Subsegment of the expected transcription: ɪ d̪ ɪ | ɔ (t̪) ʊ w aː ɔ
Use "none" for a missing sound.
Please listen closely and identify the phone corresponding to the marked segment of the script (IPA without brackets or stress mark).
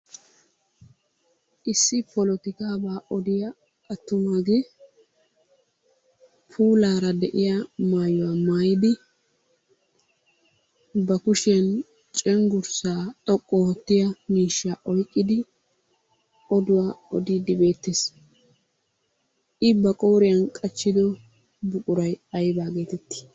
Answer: d̪